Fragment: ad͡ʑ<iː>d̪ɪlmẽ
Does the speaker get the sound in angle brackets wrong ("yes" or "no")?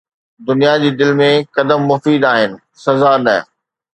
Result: no